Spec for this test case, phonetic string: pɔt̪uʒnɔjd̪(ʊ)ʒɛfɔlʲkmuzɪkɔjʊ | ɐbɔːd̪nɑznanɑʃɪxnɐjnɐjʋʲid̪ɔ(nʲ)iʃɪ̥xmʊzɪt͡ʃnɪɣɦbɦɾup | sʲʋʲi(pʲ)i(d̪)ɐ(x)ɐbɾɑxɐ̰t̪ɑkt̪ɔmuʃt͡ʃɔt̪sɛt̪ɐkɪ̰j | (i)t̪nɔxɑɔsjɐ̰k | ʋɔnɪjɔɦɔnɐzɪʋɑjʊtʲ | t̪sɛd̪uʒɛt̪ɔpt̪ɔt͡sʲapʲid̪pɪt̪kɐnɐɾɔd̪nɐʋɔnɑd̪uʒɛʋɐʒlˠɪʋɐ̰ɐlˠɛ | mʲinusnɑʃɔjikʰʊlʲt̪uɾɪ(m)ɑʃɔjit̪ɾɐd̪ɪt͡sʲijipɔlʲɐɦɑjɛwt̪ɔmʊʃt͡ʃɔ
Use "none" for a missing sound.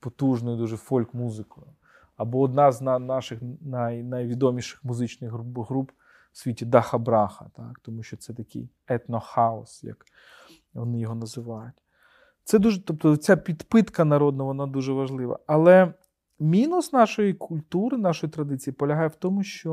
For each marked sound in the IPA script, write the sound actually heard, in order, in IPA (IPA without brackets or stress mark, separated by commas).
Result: u, mʲ, tʲ, d̪, x, ɛ, n